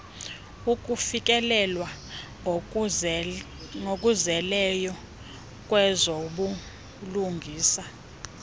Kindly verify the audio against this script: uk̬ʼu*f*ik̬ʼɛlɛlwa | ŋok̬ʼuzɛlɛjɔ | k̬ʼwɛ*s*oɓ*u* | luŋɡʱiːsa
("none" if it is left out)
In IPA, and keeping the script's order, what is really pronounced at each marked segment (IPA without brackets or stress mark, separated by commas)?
f, z, u